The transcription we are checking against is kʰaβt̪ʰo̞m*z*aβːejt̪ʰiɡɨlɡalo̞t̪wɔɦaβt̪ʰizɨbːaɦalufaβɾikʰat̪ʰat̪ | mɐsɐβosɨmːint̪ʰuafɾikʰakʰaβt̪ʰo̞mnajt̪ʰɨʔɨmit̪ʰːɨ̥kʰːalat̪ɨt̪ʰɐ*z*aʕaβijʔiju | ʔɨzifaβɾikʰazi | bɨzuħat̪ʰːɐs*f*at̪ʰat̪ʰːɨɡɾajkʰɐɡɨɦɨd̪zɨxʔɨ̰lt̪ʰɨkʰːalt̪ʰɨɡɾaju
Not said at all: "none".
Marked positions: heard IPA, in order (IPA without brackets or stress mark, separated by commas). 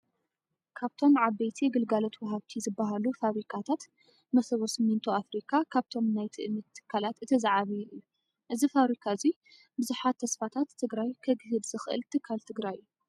ʕ, z, f